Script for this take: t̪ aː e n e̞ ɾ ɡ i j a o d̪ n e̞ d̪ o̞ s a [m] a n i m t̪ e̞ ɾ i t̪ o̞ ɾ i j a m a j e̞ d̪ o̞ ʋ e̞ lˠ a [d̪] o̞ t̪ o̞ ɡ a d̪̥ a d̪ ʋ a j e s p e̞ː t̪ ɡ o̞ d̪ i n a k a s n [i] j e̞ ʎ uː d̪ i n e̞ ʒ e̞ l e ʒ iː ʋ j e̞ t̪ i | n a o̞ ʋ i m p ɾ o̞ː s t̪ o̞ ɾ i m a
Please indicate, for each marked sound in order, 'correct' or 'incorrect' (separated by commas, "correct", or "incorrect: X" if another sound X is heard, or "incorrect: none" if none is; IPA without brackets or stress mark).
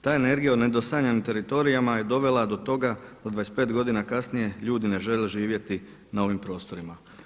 incorrect: ɲ, correct, correct